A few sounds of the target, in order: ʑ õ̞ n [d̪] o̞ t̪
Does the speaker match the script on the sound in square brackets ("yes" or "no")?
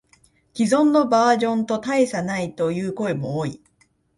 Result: no